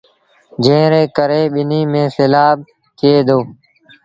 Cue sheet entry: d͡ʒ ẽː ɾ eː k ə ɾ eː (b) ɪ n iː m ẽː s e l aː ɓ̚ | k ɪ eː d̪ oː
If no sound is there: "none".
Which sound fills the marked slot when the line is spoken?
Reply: ɓ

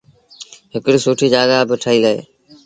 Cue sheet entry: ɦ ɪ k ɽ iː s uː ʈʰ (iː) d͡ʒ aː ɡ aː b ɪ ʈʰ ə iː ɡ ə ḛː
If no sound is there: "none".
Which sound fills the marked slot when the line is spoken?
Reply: iː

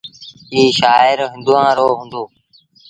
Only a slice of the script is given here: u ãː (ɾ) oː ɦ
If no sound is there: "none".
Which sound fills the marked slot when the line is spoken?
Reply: ɾ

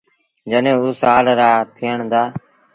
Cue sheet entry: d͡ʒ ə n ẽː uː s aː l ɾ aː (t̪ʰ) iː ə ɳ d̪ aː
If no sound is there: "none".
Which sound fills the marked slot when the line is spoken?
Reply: t̪ʰ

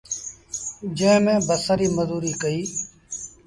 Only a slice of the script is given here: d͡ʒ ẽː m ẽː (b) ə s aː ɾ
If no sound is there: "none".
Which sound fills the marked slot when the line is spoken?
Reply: b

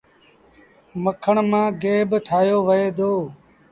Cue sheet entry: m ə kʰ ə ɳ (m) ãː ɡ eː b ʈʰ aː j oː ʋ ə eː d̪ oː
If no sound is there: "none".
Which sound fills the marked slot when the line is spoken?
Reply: m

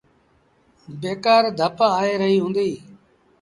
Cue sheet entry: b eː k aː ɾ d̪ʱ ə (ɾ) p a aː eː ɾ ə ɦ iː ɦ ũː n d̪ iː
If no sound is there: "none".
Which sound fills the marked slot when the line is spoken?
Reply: none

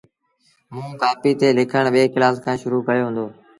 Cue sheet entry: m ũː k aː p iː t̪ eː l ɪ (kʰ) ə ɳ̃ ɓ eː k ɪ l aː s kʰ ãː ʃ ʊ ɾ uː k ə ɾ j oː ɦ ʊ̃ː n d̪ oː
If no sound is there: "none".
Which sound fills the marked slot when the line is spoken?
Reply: kʰ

